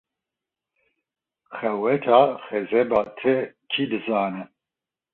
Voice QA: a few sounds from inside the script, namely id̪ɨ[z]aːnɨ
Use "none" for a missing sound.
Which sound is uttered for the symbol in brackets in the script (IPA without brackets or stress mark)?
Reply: z